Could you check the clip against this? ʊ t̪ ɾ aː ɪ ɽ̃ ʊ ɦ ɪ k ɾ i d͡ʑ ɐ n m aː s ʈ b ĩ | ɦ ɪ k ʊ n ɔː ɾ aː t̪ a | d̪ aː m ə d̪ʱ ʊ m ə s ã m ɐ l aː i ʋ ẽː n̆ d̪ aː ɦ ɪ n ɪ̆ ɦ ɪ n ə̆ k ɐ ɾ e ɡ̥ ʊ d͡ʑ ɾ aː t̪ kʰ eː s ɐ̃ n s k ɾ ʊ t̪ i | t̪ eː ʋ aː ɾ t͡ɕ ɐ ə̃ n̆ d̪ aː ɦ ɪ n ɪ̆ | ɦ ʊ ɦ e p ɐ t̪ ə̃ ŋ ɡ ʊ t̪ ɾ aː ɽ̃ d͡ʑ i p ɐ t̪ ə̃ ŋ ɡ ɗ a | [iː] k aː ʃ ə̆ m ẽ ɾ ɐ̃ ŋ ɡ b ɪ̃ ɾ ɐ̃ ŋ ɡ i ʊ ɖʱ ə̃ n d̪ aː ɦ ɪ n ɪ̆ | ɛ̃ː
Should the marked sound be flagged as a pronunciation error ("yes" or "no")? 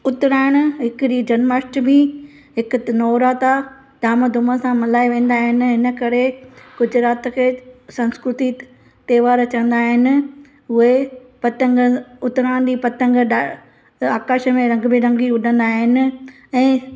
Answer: yes